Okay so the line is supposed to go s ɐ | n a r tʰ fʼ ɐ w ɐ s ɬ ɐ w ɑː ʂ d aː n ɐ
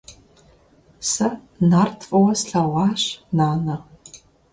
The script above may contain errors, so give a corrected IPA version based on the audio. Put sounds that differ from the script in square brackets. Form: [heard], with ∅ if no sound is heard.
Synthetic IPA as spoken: s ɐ | n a r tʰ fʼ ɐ w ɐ s ɬ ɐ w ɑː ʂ [n] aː n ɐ